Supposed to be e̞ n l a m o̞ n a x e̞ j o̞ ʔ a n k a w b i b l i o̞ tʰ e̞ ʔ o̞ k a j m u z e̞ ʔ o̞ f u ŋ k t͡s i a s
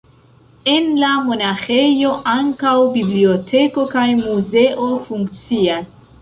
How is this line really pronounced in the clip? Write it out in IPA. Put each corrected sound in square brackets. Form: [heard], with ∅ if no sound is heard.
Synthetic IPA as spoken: e̞ n l a m o̞ n a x e̞ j o̞ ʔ a [ŋ] k a w b i b l i o̞ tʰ e̞ [k] o̞ k a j m u z e̞ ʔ o̞ f u ŋ k t͡s i a s

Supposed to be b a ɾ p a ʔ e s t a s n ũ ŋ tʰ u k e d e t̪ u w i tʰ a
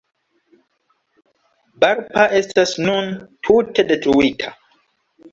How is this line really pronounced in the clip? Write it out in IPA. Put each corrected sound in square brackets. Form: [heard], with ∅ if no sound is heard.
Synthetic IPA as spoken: b a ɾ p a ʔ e s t a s n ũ [n] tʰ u [t] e d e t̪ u w i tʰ a

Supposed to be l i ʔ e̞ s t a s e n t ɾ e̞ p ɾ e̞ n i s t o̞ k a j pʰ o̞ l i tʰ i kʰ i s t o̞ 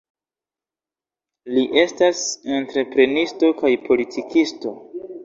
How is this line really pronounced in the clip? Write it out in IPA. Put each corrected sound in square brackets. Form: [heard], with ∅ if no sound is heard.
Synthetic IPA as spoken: l i ʔ e̞ s t a s e n t ɾ e̞ p ɾ e̞ n i s t o̞ k a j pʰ o̞ l i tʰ i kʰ i s t o̞

